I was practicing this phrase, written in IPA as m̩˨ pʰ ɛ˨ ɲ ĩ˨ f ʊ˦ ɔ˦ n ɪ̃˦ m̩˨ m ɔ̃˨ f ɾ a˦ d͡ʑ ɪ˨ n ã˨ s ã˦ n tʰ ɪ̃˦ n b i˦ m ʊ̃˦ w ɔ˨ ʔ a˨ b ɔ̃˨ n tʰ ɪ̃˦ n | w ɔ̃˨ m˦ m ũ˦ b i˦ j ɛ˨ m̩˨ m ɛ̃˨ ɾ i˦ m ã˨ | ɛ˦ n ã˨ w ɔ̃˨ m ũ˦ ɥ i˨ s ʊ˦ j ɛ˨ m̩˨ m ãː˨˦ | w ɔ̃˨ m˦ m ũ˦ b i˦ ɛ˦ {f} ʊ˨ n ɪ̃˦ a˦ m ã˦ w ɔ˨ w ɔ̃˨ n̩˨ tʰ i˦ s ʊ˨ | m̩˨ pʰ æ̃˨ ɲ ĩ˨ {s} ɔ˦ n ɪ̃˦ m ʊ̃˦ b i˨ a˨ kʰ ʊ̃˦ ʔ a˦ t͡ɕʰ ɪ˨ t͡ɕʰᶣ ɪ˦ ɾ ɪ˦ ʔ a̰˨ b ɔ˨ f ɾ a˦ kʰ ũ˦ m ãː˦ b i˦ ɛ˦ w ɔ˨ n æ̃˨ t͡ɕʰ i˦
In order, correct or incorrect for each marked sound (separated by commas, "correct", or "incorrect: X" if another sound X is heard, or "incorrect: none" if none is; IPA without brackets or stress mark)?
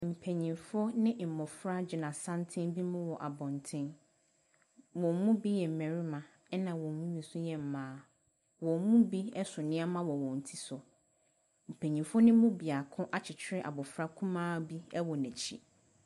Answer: incorrect: s, incorrect: f